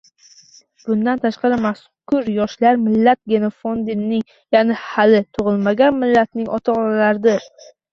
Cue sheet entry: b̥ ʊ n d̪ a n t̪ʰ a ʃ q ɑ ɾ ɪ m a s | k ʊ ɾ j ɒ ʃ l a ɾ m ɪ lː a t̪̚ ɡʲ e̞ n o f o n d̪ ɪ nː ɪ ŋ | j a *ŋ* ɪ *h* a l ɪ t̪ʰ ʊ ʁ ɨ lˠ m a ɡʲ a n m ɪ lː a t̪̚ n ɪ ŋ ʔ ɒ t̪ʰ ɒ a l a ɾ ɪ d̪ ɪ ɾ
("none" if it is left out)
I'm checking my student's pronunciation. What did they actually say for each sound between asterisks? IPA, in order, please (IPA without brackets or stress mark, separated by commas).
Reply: n, h